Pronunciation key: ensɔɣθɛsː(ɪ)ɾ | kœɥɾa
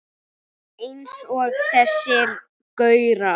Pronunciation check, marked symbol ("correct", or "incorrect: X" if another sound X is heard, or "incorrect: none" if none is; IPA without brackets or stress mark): correct